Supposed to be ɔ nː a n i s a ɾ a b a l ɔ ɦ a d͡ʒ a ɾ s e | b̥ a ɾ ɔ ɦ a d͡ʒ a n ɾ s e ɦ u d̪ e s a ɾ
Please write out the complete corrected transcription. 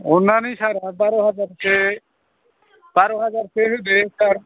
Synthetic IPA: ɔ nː a n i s a ɾ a b a ɾ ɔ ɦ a d͡ʒ a ɾ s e | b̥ a ɾ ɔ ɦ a d͡ʒ a ɾ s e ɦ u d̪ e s a ɾ